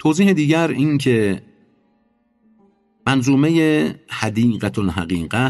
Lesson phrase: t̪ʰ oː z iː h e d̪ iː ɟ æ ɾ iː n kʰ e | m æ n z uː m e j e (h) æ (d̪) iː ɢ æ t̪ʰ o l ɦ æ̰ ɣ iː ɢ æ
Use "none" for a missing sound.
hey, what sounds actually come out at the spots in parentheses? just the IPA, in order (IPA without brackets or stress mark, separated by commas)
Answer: h, d̪